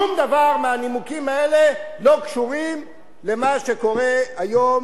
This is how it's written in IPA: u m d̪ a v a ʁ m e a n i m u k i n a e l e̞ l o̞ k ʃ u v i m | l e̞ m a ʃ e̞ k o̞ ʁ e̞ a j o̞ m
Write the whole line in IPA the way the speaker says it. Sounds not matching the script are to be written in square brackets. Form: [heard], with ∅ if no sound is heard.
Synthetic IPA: u m d̪ a v a ʁ m e a n i m u k i [m] a e l e̞ l o̞ k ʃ u [ʁ] i m | l e̞ m a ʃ e̞ k o̞ ʁ e̞ a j o̞ m